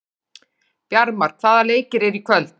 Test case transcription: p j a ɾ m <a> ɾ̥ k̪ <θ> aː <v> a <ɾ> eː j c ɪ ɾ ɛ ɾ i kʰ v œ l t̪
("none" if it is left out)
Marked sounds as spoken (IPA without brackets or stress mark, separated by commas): a, θ, ð, l